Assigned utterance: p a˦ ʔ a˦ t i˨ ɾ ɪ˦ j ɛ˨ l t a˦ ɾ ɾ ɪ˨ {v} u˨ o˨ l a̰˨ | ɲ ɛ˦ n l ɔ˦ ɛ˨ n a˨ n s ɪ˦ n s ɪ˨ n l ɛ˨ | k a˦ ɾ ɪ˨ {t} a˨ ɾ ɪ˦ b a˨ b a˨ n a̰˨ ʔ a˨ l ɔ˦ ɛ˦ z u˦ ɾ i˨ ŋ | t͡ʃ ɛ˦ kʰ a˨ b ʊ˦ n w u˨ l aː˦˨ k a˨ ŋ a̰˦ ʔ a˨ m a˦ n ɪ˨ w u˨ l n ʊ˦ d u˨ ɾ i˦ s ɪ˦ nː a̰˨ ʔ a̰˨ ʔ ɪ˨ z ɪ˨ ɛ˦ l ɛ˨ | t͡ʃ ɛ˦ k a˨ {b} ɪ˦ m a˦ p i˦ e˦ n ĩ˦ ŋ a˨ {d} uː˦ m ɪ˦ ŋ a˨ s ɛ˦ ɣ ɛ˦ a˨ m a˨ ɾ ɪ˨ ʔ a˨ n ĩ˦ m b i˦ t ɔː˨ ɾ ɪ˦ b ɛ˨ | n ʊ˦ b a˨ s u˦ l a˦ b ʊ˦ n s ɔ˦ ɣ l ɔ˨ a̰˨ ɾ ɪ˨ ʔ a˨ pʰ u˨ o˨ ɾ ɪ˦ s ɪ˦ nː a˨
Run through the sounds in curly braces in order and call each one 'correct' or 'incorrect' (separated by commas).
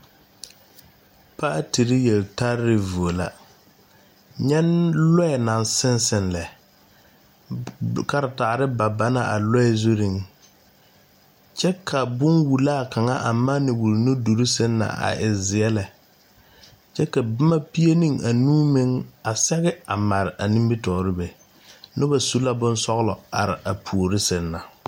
correct, correct, correct, incorrect